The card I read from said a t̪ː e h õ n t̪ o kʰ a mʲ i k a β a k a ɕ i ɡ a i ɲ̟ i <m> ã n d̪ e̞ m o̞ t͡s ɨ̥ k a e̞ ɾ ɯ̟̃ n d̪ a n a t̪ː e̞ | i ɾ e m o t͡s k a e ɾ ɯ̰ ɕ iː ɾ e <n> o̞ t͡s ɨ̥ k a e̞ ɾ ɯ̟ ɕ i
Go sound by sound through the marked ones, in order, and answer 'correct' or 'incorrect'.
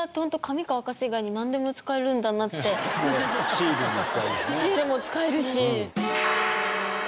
incorrect: n, incorrect: m

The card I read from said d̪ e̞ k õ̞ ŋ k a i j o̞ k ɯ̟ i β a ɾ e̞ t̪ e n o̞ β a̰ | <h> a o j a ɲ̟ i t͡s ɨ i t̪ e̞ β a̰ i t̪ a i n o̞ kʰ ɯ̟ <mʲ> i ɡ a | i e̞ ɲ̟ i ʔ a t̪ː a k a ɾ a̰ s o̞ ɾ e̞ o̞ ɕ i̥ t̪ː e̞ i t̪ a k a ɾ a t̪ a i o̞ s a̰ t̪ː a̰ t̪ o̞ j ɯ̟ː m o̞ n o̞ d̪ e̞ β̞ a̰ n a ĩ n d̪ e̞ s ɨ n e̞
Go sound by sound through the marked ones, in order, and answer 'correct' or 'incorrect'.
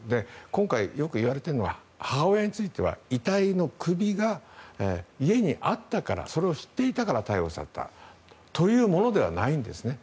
correct, incorrect: bʲ

